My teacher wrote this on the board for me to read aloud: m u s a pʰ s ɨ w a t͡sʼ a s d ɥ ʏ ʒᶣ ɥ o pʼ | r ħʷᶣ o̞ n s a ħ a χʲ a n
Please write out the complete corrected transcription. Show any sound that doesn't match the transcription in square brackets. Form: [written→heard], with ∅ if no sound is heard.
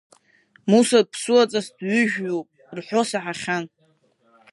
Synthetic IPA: m u s a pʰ s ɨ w a t͡sʼ a s d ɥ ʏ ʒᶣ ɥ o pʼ | r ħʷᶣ o̞ [n→∅] s a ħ a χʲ a n